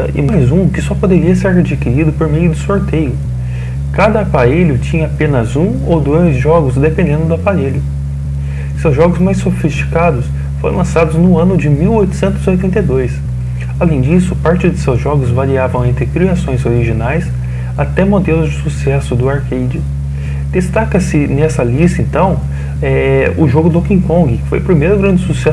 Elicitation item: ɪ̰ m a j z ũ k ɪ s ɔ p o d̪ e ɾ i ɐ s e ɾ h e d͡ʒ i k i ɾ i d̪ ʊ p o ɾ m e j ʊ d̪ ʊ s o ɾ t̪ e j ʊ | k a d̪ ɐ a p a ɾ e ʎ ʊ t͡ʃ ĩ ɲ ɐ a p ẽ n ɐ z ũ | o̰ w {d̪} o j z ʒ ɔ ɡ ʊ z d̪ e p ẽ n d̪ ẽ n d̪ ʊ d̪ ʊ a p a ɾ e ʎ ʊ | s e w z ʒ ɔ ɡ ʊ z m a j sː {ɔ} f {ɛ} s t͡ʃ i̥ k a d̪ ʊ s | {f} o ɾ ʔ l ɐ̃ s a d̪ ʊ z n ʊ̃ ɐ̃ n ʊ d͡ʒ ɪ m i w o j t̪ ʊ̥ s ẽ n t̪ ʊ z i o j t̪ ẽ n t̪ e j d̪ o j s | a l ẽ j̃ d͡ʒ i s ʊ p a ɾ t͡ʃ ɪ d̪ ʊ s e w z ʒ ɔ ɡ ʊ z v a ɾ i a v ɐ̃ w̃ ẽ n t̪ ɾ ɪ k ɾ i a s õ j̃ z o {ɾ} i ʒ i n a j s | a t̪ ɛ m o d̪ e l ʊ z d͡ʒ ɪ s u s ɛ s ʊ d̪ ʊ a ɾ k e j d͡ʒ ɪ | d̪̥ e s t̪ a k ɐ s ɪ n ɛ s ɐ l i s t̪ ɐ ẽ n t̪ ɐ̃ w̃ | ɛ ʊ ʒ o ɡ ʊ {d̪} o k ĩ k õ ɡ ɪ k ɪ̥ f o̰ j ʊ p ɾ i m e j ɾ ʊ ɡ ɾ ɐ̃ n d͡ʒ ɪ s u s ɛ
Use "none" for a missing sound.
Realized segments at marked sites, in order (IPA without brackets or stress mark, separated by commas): d̪, o, i, f, ɾ, d̪